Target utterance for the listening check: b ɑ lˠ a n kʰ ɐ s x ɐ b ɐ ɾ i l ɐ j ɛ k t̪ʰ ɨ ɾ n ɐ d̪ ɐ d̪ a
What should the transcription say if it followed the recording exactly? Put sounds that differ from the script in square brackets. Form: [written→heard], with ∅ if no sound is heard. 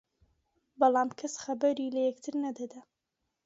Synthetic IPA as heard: b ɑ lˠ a [n→m] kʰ ɐ s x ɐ b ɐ ɾ i l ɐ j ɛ k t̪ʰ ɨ ɾ n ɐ d̪ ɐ d̪ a